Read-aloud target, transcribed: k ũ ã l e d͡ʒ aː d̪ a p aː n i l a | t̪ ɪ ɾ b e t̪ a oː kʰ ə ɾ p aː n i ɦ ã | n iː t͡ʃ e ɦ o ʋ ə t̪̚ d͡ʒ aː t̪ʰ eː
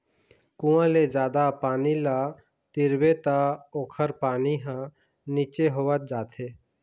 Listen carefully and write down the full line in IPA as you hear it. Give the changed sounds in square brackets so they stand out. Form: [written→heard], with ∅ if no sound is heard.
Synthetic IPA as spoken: k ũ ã l e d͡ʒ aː d̪ a p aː n i l a | t̪ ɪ ɾ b e t̪ a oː kʰ ə ɾ p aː n i ɦ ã | n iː t͡ʃ e ɦ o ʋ ə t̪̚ d͡ʒ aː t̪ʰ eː